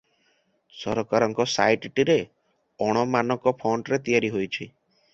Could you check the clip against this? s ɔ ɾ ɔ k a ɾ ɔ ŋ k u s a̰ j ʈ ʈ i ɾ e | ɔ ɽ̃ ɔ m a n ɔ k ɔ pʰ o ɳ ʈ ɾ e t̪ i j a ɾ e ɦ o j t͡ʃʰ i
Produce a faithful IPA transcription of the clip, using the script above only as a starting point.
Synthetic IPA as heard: s ɔ ɾ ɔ k a ɾ ɔ ŋ k ɔ s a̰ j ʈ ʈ i ɾ e | ɔ ɽ̃ ɔ m a n ɔ k ɔ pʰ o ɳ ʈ ɾ e t̪ i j a ɾ i ɦ o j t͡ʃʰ i